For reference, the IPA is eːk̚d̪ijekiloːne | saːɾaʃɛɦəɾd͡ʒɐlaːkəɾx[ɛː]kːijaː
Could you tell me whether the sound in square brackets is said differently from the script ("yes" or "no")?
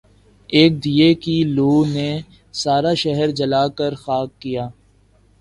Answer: yes